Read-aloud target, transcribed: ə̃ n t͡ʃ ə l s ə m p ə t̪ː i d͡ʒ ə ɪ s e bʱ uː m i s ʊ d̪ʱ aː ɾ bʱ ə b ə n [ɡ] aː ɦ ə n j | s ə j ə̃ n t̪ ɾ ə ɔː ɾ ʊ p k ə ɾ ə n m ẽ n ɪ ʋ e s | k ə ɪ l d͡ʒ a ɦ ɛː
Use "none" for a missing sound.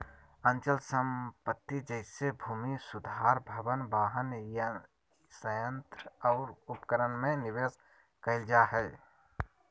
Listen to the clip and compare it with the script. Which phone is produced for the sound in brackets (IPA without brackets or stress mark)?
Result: b